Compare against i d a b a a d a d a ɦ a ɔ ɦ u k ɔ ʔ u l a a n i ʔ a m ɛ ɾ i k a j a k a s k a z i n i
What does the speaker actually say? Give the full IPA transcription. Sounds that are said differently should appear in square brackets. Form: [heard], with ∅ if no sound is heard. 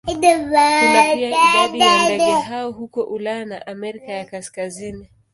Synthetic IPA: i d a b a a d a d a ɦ a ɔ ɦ u k ɔ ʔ u l a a n [a] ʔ a m ɛ ɾ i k a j a k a s k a z i n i